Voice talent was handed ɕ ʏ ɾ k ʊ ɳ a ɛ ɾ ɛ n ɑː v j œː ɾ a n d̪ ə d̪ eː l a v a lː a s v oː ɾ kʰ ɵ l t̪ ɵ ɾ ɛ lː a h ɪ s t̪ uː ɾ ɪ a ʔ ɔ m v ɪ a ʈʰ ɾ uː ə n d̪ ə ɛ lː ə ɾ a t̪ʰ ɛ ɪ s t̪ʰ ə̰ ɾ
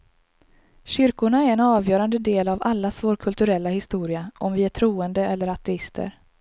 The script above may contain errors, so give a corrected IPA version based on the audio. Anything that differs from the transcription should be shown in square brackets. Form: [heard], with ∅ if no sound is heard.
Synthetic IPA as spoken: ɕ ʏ ɾ k ʊ ɳ a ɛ ɾ ɛ n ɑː v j œː ɾ a n d̪ ə d̪ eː l a v a lː a s v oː ɾ kʰ ɵ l t̪ ɵ ɾ ɛ lː a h ɪ s t̪ uː ɾ ɪ a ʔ ɔ m v ɪ [æ] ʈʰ ɾ uː ə n d̪ ə ɛ lː ə ɾ a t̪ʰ ɛ ɪ s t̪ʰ ə̰ ɾ